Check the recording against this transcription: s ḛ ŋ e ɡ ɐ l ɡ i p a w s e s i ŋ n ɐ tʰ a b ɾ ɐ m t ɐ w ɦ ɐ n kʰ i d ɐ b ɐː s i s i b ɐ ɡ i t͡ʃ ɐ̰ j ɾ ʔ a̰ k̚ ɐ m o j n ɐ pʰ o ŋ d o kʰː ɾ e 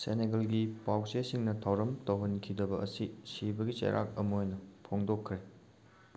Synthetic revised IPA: s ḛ n e ɡ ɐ l ɡ i p a w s e s i ŋ n ɐ tʰ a w ɾ ɐ m t ɐ w ɦ ɐ n kʰ i d ɐ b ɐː s i s i b ɐ ɡ i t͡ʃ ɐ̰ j ɾ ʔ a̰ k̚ ɐ m o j n ɐ pʰ o ŋ d o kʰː ɾ e